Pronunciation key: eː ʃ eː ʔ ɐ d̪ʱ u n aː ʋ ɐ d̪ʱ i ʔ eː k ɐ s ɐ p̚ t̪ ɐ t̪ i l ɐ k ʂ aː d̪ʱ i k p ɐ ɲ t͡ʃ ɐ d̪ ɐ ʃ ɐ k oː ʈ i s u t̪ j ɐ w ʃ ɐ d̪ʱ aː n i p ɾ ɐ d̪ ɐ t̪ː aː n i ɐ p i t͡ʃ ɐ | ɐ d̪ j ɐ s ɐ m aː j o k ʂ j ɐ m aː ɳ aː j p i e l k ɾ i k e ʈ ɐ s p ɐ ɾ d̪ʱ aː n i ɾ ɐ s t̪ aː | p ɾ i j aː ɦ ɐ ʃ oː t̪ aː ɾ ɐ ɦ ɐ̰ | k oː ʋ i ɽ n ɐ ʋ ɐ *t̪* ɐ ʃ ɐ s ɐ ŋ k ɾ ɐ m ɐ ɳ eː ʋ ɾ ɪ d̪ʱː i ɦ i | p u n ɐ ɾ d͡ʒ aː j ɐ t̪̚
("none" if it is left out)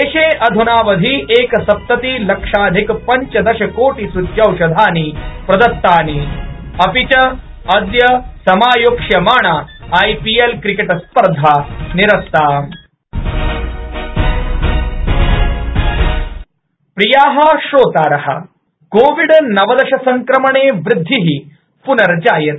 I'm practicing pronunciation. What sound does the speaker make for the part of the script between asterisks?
d̪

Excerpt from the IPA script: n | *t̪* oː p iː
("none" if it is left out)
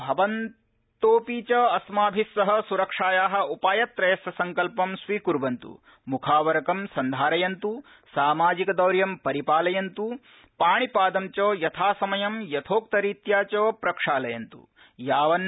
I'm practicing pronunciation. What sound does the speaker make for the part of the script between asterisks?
t̪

